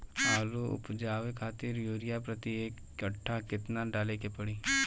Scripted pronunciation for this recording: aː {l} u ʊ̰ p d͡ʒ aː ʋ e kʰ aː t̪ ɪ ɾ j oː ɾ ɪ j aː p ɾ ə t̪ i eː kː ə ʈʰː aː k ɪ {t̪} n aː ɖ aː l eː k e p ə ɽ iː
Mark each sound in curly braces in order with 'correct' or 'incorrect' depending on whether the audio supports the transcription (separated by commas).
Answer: correct, correct